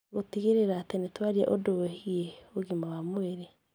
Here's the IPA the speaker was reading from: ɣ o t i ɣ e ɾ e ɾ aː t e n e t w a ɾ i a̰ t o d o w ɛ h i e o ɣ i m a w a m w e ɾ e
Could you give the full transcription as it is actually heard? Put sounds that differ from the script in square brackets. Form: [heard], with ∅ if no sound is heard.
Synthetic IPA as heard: ɣ o t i ɣ e ɾ e ɾ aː t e n e t w a ɾ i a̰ [ʔ] o d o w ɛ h i e o ɣ i m a w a m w e ɾ e